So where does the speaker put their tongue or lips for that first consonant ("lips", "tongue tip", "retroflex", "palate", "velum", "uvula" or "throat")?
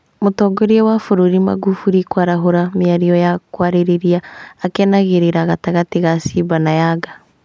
lips